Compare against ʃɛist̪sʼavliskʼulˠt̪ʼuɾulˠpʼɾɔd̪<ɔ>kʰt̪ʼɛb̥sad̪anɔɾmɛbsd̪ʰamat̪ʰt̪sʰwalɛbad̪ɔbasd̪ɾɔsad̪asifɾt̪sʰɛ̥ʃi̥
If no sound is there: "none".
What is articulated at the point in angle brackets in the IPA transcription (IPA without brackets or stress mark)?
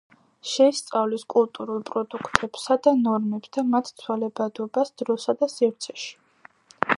u